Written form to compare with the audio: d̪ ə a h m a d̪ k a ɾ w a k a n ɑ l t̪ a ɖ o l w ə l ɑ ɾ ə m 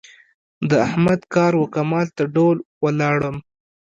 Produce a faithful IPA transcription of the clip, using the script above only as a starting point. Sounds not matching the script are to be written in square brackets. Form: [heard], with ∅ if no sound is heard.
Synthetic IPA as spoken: d̪ ə a h m a d̪ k [ɑ] ɾ w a k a [m] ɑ l t̪ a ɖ o l w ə l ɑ [ɽ] ə m